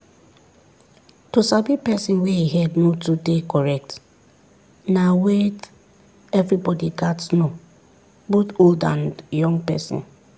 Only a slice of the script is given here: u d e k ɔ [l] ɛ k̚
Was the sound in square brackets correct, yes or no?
no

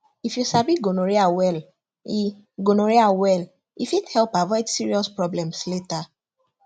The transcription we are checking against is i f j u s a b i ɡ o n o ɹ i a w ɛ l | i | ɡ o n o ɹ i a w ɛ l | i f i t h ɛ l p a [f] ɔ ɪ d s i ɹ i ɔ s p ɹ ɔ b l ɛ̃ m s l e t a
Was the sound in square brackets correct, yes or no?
no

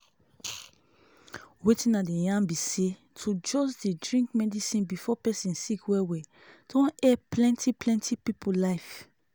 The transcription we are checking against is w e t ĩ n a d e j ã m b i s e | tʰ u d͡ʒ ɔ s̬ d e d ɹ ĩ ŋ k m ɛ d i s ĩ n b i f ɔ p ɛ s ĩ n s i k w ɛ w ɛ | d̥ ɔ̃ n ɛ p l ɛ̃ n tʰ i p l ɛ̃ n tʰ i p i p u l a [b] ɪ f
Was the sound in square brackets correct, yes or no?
no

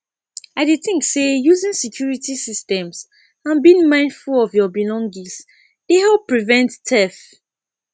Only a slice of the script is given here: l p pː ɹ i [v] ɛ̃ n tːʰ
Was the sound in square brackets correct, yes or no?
yes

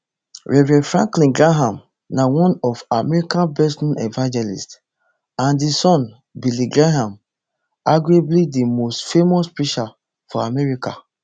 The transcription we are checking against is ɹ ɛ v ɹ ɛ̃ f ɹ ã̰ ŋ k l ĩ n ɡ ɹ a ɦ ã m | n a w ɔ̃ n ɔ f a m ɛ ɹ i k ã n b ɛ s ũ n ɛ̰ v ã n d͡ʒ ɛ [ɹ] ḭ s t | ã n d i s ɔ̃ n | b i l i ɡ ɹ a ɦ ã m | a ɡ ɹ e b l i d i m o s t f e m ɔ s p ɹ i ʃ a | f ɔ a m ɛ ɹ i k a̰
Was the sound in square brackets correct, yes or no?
no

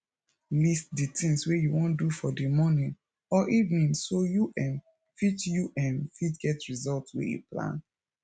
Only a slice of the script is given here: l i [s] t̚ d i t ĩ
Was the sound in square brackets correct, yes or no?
yes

